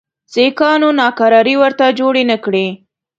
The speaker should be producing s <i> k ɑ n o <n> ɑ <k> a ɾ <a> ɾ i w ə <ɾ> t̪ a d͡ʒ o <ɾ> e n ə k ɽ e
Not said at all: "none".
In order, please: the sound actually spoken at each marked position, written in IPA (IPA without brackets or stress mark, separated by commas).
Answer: e, n, k, ɑ, ɾ, ɽ